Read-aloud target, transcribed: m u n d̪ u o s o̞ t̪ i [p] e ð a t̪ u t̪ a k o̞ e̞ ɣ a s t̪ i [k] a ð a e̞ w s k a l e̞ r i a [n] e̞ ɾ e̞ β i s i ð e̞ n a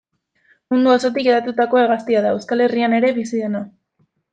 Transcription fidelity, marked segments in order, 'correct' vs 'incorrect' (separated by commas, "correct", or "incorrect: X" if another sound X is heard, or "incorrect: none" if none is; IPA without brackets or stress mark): incorrect: k, incorrect: none, correct